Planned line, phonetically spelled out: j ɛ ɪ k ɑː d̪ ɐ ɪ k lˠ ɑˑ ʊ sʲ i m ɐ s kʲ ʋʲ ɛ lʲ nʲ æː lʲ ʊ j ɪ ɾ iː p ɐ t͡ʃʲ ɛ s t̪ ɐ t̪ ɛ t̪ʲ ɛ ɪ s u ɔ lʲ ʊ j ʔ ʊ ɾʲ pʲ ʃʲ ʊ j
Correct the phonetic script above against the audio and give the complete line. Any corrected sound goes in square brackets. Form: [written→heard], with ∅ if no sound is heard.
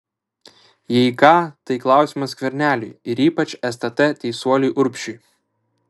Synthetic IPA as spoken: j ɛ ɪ k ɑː [d̪→t̪] ɐ ɪ k lˠ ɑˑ ʊ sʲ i m ɐ s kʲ ʋʲ ɛ [lʲ→ɾʲ] nʲ æː lʲ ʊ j ɪ ɾ iː p ɐ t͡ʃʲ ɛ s t̪ ɐ t̪ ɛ t̪ʲ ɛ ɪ s u ɔ lʲ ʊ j ʔ ʊ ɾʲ pʲ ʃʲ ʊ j